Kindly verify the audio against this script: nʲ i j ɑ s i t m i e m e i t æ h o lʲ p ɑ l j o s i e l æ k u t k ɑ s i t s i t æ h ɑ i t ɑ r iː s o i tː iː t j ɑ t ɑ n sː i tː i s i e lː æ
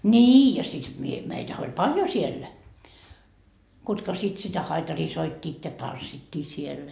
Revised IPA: nʲ iː j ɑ s i t m i e m e i t æ h o lʲ p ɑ l j o s i e lː æ k u t k ɑ s i t s i t æ h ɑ i t ɑ r iː s o i tː iː t j ɑ t ɑ n sː i tː iː s i e lː æ